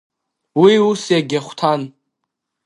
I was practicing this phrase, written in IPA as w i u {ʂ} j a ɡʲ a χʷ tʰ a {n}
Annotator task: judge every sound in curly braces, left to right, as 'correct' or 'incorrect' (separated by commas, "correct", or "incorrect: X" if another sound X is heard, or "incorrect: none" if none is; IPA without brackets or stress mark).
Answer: incorrect: s, correct